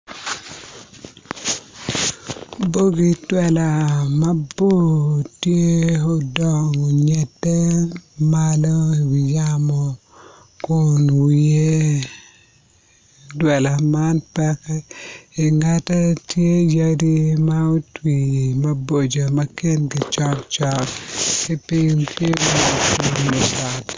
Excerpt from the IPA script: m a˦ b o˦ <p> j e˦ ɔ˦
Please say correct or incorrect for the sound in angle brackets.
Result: incorrect